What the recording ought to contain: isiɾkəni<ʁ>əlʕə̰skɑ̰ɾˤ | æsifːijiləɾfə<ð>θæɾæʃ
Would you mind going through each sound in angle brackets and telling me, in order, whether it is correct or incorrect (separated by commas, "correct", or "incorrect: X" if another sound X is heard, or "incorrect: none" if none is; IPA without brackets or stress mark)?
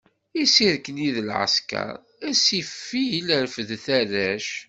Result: incorrect: ð, correct